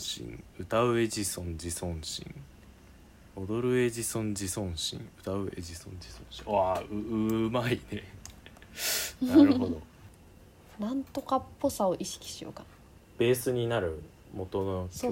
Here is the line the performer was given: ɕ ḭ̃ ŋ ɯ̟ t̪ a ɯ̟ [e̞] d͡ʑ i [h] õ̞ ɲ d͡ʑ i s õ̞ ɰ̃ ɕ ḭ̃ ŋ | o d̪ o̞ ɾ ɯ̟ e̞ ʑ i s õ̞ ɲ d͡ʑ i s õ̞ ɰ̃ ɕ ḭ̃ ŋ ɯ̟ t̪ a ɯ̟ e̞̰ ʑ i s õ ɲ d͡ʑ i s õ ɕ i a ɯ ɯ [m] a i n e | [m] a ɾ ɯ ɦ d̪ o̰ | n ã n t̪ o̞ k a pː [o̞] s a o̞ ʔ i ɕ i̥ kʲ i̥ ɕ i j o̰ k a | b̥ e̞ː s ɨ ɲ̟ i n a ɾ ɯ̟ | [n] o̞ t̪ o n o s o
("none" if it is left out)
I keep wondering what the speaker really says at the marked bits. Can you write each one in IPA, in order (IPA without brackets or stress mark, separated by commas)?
e̞, s, m, n, o̞, m